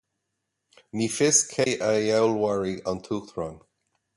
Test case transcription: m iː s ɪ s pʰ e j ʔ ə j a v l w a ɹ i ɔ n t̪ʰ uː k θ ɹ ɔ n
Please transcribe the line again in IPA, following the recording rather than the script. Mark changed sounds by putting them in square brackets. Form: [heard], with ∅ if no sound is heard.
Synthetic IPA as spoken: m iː [f] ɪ s [kʰ] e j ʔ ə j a [w] l w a ɹ i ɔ n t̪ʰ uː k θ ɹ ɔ n